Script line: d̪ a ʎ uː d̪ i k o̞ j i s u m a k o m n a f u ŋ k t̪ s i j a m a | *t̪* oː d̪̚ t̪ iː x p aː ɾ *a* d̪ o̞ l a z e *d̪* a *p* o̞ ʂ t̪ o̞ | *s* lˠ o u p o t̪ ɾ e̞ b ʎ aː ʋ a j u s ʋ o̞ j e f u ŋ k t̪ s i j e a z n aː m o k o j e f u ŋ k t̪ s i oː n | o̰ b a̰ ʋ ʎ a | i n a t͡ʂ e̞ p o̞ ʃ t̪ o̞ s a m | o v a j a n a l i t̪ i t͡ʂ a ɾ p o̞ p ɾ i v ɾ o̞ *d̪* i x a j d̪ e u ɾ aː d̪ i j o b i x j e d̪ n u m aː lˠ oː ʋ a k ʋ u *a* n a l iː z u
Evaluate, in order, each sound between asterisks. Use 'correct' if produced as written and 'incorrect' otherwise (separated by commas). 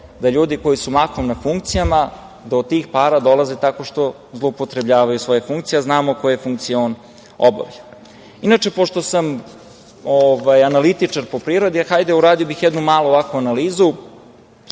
incorrect, correct, incorrect, incorrect, incorrect, correct, correct